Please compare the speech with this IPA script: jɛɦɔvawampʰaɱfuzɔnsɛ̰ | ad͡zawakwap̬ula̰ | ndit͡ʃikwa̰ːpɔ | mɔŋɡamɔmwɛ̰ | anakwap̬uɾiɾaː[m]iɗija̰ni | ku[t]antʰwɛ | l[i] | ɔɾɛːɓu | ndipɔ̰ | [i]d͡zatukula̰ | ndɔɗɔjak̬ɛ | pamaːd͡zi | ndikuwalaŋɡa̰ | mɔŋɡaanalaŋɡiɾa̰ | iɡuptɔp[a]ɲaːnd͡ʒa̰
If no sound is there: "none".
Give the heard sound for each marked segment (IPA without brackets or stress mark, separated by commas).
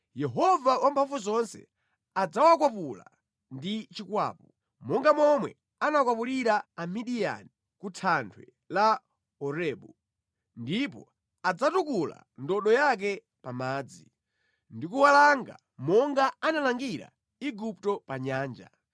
m, tʰ, a, a, a